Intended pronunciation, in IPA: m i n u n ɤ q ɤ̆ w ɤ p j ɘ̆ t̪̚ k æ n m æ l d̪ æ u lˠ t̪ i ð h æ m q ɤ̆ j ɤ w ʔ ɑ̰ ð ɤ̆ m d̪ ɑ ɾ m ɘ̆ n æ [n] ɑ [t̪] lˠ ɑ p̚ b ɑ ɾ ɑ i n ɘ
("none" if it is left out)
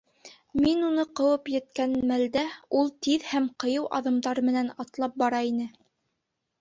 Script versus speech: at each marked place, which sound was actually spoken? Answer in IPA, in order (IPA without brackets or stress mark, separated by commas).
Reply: n, t̪